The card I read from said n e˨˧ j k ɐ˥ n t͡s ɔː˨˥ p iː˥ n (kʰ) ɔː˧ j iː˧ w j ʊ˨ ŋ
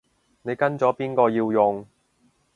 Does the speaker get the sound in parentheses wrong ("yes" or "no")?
yes